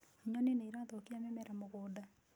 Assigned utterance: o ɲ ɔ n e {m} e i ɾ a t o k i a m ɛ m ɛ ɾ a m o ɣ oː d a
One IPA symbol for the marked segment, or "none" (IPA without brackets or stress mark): n